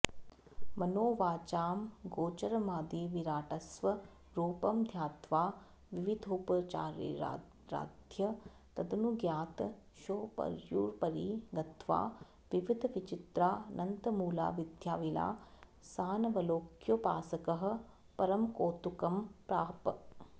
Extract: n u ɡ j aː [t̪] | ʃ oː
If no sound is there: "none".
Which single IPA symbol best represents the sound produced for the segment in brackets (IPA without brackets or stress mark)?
t̪